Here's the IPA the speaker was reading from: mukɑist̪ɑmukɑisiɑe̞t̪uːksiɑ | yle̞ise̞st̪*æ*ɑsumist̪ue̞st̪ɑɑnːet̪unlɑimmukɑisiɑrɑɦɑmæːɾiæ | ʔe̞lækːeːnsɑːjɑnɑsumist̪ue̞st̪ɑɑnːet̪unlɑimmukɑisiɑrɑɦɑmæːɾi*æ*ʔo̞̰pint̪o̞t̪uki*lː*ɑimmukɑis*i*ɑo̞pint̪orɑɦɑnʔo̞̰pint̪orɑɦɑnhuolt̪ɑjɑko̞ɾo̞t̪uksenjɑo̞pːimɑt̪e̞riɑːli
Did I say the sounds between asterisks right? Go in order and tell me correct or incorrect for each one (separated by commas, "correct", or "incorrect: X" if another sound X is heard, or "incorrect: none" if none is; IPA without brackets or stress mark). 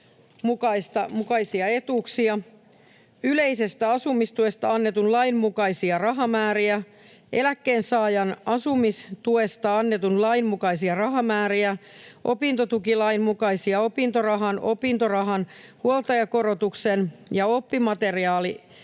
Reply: correct, correct, incorrect: l, correct